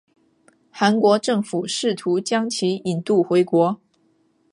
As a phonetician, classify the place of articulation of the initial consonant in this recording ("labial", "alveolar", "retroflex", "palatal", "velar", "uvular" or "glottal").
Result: velar